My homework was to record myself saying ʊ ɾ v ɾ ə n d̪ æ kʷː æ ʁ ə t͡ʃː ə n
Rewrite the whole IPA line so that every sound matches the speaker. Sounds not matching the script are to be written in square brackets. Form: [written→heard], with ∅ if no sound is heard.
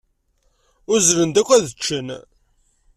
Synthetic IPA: ʊ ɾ [v→z] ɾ ə n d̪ æ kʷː æ [ʁ→ð] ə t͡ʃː ə n